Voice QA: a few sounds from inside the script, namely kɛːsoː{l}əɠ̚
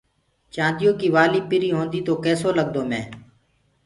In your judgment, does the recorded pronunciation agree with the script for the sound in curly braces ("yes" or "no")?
yes